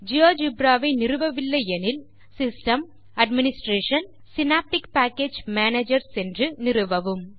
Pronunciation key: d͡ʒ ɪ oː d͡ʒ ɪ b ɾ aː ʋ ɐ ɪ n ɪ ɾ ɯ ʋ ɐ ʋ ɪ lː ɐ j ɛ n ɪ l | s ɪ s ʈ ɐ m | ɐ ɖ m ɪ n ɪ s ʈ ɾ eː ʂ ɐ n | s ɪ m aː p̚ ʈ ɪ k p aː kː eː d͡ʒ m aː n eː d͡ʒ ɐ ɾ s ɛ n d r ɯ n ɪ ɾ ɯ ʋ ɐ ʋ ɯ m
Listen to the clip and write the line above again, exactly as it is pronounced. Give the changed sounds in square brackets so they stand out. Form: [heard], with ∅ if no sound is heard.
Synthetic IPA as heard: d͡ʒ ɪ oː d͡ʒ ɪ b ɾ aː ʋ ɐ ɪ n ɪ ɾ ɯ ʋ ɐ ʋ ɪ lː ɐ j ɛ n ɪ l | s ɪ s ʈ ɐ m | ɐ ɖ m ɪ n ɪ s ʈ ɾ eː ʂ ɐ n | s ɪ [n] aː p̚ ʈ ɪ k p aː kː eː d͡ʒ m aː n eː d͡ʒ ɐ ɾ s ɛ n d r ɯ n ɪ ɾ ɯ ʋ ɐ ʋ ɯ m